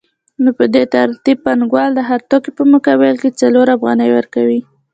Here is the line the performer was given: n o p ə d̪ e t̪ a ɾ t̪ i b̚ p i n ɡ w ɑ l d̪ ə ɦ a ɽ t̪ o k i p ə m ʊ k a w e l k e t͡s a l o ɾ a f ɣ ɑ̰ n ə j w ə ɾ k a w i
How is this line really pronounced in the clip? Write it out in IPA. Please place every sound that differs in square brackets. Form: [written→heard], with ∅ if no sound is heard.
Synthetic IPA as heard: n o p ə d̪ e t̪ a ɾ t̪ i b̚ p [i→a] n ɡ w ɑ l d̪ ə ɦ a [ɽ→ɾ] t̪ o k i p ə m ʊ k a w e l k e t͡s a l o ɾ a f ɣ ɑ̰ n ə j w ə ɾ k a w i